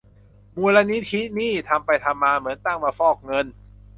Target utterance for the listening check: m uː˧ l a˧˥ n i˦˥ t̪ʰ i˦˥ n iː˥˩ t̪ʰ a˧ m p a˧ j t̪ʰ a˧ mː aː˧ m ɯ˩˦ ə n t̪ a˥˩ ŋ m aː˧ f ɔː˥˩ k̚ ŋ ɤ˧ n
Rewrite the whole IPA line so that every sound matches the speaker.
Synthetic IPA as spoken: m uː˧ l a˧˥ n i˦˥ t̪ʰ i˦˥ n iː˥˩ t̪ʰ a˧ m p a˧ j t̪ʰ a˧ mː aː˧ m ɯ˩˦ ə n t̪ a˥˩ ŋ m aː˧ f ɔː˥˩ k̚ ŋ ɤ˧ n